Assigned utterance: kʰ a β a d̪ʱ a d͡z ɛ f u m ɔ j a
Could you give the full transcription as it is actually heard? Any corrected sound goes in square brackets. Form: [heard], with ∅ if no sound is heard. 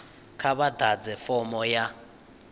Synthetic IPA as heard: kʰ a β a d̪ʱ a d͡z ɛ f [ɔ] m ɔ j a